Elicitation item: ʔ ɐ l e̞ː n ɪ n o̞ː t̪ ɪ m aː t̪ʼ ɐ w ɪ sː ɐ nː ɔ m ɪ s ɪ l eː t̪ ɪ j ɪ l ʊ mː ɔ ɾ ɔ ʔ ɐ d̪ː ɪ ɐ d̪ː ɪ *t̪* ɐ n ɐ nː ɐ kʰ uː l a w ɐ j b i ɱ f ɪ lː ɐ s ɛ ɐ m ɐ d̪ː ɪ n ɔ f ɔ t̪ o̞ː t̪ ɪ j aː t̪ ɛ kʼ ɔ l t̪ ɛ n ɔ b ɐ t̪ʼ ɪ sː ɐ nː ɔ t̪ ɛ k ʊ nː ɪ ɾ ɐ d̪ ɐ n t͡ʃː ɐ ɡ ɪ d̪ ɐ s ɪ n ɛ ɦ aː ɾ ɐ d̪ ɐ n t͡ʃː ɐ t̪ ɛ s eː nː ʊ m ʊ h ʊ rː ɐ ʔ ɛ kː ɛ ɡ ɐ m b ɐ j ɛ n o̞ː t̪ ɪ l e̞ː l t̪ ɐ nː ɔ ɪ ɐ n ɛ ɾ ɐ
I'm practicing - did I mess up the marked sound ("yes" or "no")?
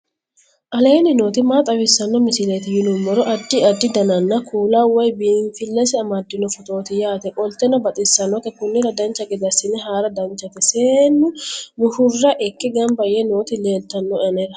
yes